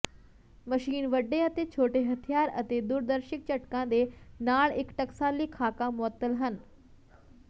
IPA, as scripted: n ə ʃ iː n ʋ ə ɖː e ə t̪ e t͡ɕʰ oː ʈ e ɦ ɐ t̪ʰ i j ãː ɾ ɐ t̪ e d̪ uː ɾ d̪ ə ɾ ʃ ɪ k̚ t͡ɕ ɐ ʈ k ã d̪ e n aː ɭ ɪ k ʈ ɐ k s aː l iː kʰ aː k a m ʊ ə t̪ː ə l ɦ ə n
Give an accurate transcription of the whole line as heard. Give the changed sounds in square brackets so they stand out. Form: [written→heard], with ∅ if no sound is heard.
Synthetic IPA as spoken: [n→m] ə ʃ iː n ʋ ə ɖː e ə t̪ e t͡ɕʰ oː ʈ e ɦ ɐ t̪ʰ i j [ãː→aː] ɾ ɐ t̪ e d̪ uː ɾ d̪ ə ɾ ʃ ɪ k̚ t͡ɕ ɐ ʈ k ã d̪ e n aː ɭ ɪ k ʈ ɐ k s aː l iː kʰ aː k a m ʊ ə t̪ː ə l ɦ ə n